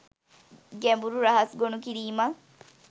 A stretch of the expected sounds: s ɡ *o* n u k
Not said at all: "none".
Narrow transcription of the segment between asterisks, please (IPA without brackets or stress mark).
o